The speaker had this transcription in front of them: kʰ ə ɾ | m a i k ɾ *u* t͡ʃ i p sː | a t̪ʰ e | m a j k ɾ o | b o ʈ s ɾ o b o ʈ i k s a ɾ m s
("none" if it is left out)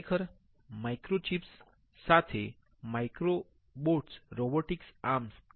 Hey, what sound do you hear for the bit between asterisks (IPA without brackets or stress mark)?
o